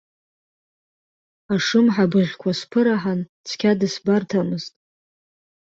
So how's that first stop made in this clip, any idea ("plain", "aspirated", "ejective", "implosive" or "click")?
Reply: plain